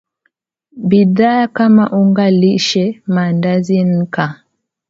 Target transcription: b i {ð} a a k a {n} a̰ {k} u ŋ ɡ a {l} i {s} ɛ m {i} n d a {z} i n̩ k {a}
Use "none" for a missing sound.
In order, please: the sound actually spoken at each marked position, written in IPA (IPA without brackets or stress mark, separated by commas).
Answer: ð, m, ʔ, l, ʃ, a, z, a